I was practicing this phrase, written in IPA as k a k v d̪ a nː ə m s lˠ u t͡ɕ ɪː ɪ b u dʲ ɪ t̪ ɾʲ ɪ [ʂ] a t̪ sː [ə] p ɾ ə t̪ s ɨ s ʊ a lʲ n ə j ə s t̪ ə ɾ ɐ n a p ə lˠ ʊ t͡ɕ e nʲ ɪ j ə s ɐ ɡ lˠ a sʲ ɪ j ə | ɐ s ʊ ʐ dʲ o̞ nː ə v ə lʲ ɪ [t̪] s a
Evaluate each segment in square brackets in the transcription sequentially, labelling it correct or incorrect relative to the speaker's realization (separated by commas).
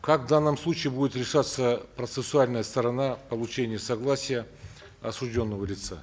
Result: correct, correct, correct